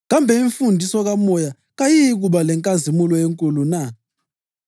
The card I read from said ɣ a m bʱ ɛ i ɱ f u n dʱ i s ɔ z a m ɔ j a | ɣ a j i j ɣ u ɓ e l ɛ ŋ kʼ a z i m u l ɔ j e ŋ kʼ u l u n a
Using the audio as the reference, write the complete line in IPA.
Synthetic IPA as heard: ɣ a m bʱ ɛ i ɱ f u n dʱ i s ɔ ɣ a m ɔ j a | ɣ a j i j ɣ u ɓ a l ɛ ŋ kʼ a z i m u l ɔ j e ŋ kʼ u l u n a